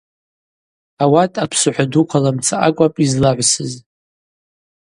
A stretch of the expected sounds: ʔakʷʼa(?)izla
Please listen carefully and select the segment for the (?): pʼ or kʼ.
pʼ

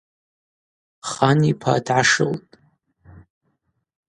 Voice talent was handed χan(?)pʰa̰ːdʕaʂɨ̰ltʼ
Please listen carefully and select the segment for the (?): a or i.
i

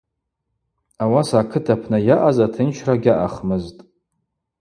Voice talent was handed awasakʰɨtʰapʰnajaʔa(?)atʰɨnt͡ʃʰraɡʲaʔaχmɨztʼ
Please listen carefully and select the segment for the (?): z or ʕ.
z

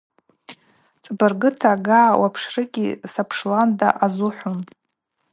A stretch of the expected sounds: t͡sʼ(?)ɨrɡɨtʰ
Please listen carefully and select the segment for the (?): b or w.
b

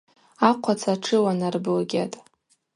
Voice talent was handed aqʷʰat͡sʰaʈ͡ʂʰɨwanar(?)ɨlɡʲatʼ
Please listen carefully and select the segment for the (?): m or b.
b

